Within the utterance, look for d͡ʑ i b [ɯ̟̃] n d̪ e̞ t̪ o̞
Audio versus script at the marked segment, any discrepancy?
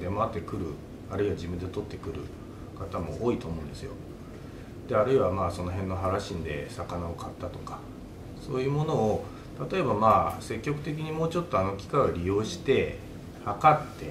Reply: yes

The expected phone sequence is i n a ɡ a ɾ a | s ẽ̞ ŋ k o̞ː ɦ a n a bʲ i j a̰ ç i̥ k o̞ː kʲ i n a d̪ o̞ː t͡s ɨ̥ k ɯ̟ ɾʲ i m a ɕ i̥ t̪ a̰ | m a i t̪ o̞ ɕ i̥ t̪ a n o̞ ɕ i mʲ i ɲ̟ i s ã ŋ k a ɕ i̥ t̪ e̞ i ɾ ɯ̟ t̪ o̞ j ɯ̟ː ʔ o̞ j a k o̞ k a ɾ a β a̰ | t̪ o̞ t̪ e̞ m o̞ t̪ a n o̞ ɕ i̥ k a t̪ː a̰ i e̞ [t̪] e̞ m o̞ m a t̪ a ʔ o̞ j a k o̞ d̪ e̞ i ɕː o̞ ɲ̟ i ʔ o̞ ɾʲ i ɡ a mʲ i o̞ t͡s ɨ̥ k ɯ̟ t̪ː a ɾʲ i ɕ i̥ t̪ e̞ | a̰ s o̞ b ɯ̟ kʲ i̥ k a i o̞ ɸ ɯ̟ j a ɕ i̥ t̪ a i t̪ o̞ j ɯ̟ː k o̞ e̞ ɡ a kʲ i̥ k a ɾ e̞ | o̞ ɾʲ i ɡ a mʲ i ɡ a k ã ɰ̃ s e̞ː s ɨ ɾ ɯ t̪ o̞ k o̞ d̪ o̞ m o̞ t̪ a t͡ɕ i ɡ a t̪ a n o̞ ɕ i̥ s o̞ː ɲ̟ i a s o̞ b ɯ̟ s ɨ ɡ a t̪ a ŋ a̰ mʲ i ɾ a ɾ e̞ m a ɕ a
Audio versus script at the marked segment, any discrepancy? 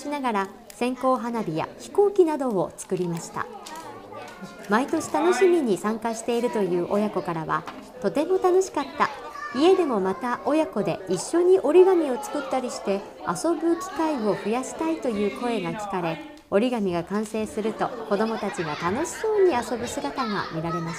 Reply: yes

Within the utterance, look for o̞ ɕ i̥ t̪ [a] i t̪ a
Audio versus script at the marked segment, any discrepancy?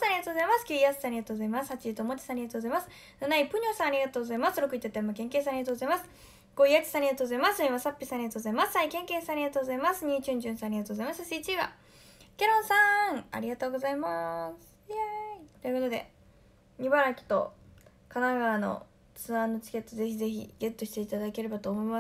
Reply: yes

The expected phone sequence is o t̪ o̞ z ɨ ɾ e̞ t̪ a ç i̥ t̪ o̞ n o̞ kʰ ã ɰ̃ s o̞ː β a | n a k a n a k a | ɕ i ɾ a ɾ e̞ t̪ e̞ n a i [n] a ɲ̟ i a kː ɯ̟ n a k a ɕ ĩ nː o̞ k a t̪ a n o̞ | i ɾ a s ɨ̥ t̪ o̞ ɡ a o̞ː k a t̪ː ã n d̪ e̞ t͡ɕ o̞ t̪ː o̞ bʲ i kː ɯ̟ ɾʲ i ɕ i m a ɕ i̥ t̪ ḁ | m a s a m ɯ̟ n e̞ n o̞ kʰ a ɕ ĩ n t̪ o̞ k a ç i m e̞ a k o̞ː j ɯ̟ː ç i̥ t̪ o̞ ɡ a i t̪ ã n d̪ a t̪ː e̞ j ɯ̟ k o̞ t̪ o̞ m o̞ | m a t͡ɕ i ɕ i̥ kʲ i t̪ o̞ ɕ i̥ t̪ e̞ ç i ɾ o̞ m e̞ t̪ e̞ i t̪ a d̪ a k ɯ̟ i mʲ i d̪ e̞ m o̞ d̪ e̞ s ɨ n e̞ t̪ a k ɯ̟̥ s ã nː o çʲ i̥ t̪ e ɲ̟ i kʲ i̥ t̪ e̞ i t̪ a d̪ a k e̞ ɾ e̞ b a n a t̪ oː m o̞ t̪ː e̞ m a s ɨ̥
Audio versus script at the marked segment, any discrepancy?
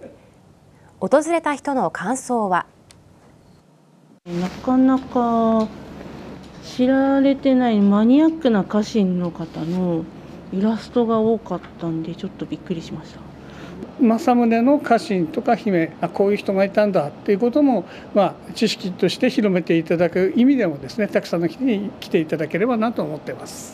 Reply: yes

